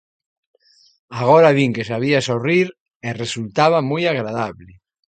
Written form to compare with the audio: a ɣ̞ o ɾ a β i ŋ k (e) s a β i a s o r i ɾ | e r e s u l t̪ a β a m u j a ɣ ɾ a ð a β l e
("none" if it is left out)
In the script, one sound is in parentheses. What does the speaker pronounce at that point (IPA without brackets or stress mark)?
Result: e